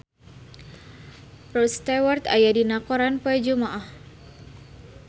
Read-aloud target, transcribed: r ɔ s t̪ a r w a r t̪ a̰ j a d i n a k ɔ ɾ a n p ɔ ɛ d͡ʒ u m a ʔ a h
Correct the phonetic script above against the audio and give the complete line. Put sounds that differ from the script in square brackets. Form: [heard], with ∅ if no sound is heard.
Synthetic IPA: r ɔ s t̪ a [∅] w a r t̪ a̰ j a d i n a k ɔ ɾ a n p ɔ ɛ d͡ʒ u m a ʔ a h